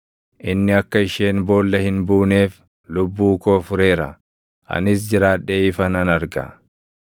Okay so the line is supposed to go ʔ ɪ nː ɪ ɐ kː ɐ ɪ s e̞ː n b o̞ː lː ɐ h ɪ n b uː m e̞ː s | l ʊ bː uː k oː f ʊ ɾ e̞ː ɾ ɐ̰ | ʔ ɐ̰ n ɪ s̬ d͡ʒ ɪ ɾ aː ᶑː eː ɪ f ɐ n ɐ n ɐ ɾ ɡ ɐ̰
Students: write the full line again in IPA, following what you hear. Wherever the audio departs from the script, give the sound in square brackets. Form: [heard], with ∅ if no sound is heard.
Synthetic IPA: ʔ ɪ nː ɪ ɐ kː ɐ ɪ [ʃ] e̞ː n b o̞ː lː ɐ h ɪ n b uː [n] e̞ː [f] | l ʊ bː uː k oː f ʊ ɾ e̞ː ɾ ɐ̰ | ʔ ɐ̰ n ɪ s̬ d͡ʒ ɪ ɾ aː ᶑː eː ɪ f ɐ n ɐ n ɐ ɾ ɡ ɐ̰